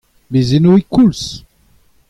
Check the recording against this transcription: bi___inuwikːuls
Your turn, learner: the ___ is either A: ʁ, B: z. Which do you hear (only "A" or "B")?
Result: B